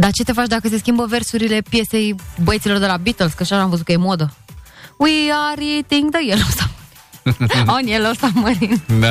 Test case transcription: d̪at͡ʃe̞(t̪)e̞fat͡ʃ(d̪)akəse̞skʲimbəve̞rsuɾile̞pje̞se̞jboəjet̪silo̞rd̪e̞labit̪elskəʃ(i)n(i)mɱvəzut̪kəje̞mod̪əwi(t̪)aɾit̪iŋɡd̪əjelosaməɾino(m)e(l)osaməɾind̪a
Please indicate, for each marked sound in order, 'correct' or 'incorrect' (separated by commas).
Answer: correct, correct, incorrect, incorrect, incorrect, incorrect, correct